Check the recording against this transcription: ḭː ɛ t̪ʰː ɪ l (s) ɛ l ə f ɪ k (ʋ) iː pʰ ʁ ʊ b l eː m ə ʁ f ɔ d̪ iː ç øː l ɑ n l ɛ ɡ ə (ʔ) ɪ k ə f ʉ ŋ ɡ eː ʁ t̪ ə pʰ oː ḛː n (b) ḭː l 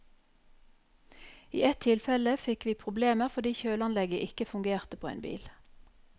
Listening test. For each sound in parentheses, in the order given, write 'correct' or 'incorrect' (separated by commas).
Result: incorrect, correct, correct, correct